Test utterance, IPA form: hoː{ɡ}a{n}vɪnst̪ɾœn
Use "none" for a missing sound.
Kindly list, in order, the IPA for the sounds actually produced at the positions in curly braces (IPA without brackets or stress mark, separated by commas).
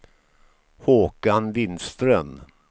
k, n